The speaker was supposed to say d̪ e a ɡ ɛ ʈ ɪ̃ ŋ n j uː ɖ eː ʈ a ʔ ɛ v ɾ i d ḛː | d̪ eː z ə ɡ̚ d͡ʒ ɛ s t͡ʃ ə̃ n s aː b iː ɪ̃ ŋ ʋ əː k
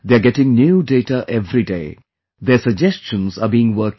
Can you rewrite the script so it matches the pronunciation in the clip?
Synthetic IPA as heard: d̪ e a ɡ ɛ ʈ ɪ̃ ŋ n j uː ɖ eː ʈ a ʔ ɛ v ɾ i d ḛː | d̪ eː s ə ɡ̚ d͡ʒ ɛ s t͡ʃ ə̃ n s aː b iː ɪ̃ ŋ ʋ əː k